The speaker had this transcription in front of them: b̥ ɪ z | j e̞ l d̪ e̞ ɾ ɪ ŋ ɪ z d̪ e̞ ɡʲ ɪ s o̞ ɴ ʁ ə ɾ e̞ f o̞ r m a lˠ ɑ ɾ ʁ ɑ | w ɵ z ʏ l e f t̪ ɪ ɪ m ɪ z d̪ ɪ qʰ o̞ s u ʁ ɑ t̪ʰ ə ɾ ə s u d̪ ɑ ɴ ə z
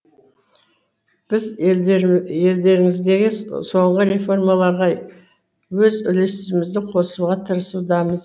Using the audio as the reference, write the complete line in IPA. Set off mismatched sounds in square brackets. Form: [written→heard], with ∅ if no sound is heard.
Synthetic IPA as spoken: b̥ ɪ z | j e̞ l d̪ e̞ ɾ ɪ ŋ ɪ z d̪ e̞ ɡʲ ɪ s o̞ ɴ ʁ ə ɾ e̞ f o̞ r m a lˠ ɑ ɾ ʁ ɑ | w ɵ z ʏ l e [f→s] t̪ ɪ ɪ m ɪ z d̪ ɪ qʰ o̞ s u ʁ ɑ t̪ʰ ə ɾ ə s u d̪ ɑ [ɴ→m] ə z